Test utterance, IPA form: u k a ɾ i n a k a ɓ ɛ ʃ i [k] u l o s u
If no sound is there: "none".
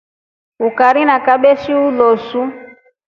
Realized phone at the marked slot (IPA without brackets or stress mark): none